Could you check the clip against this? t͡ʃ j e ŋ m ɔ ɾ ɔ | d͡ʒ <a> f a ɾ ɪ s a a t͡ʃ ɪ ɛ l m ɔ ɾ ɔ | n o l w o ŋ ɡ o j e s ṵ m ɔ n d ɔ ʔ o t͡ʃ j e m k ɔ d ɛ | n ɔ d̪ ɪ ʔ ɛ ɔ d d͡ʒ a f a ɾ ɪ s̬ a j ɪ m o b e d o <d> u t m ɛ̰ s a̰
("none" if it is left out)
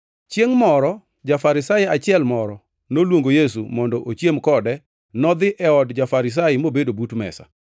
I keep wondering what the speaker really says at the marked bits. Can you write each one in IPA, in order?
a, b

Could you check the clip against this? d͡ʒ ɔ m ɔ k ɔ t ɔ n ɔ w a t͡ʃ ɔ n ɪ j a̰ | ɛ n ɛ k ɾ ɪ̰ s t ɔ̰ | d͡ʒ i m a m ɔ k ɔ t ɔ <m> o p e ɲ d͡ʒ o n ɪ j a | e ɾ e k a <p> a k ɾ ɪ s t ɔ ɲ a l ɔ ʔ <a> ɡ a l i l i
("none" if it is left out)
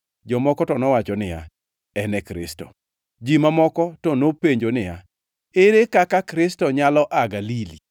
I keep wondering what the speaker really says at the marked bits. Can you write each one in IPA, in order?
n, k, a

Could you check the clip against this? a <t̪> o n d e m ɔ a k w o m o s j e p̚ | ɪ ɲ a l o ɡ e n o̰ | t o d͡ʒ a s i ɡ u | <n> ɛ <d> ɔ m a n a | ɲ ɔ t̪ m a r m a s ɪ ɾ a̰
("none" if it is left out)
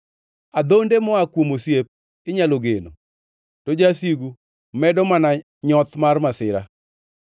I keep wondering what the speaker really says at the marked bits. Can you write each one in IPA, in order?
d̪, m, d

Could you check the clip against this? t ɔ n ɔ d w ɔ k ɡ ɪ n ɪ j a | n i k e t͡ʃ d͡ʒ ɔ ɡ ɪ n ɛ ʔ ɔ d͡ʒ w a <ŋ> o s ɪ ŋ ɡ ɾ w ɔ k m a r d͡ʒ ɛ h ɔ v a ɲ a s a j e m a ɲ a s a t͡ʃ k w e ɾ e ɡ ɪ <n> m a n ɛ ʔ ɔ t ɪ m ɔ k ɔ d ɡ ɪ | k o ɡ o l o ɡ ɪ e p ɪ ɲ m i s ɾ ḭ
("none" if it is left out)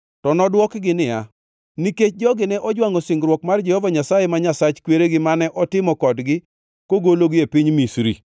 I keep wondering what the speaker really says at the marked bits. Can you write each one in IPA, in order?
ŋ, none

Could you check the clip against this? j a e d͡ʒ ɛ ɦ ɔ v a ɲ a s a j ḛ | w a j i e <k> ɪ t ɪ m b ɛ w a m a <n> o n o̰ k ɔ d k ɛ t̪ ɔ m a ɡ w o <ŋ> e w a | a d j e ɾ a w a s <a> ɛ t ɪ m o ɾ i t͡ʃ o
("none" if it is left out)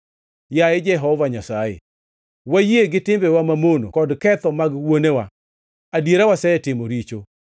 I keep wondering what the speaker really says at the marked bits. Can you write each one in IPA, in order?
ɡ, m, n, ɛ

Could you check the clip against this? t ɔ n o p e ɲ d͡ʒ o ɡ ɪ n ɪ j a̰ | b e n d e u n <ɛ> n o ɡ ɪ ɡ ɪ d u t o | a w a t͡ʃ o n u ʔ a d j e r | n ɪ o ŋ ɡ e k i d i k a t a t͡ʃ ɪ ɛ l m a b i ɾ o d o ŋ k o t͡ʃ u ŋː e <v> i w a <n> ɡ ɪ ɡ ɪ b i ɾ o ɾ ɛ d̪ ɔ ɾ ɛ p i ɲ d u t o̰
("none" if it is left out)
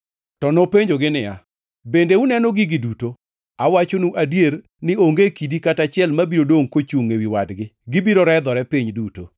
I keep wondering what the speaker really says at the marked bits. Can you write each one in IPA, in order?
ɛ, w, d

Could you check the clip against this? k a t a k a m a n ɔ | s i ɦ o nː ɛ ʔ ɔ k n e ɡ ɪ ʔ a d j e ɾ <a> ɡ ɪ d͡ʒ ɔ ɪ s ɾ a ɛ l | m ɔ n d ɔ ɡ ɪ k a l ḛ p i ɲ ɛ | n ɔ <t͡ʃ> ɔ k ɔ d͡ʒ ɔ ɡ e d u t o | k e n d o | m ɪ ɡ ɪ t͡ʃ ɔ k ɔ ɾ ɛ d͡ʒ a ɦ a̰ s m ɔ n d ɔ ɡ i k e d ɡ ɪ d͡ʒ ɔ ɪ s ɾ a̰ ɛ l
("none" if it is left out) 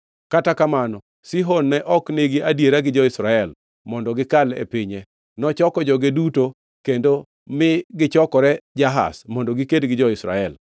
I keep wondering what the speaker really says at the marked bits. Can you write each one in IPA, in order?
a, t͡ʃ

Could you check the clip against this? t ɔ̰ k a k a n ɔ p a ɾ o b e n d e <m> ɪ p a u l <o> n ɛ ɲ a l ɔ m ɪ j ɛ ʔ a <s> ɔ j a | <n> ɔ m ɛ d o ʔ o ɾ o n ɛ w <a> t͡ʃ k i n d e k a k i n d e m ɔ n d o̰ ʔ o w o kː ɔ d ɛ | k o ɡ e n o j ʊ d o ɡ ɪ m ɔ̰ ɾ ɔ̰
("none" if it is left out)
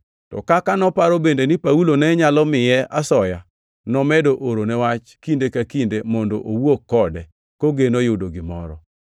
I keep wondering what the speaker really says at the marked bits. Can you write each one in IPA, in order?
n, o, s, n, a

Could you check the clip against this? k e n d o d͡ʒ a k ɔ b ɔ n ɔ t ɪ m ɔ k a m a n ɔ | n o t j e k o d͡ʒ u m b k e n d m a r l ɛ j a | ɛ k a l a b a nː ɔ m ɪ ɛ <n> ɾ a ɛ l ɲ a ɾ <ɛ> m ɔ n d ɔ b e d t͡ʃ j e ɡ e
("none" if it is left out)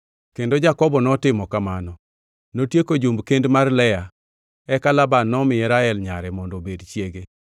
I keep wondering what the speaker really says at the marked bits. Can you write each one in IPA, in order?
none, ɛ

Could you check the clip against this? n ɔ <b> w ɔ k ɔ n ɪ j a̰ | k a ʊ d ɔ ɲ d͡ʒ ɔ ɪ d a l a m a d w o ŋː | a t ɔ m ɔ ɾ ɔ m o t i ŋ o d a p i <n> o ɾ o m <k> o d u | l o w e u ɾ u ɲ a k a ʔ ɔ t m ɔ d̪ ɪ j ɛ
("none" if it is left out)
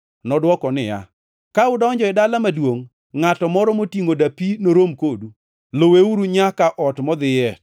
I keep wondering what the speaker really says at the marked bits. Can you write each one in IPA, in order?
d, n, k

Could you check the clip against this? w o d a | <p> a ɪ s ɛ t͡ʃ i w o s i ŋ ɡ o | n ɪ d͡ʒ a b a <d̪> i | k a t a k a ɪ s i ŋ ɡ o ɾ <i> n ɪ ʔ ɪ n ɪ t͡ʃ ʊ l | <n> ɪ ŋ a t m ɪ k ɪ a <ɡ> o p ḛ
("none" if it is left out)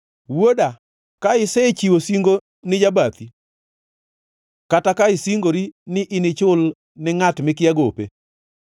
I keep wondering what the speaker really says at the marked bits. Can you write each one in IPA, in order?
k, t̪, i, n, ɡ

